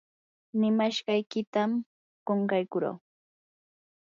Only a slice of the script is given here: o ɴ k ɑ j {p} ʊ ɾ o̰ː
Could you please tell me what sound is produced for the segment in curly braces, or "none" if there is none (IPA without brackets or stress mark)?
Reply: k